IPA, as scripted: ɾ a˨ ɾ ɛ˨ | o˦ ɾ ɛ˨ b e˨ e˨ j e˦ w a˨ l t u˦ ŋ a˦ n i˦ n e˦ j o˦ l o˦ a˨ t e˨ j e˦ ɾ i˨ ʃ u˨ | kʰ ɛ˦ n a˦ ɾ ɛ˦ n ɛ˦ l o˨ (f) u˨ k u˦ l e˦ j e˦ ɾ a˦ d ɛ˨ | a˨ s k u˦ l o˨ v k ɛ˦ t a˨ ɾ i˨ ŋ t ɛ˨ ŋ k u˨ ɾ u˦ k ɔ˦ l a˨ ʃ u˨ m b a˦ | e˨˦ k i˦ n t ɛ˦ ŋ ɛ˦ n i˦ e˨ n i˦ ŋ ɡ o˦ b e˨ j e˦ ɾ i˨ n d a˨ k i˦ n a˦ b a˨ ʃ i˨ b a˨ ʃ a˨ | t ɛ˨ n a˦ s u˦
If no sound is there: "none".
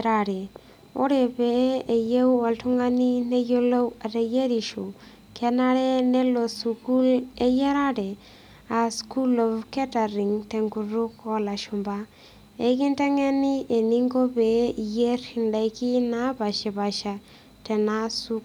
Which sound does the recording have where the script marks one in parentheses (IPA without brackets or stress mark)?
s